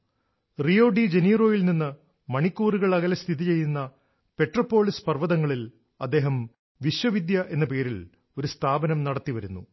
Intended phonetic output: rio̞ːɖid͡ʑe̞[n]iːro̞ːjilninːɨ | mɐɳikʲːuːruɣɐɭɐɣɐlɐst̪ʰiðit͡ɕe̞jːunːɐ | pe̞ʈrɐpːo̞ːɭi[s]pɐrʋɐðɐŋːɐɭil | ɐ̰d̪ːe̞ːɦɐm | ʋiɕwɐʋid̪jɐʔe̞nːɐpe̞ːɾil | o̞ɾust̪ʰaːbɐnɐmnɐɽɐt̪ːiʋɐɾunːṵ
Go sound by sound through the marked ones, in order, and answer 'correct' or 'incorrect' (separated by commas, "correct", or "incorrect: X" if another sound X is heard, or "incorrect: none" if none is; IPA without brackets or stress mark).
correct, correct